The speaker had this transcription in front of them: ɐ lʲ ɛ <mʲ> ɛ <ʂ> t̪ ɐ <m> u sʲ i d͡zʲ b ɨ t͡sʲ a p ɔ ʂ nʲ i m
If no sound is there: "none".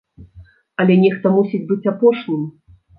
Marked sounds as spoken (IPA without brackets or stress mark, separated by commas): nʲ, x, m